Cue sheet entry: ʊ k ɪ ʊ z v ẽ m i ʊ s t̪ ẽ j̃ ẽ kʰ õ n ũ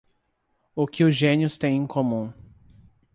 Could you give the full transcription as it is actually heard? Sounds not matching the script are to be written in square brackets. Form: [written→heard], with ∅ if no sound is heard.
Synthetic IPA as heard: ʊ k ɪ ʊ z [v→ʒ] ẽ [m→n] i ʊ s t̪ ẽ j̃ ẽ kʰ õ [n→m] ũ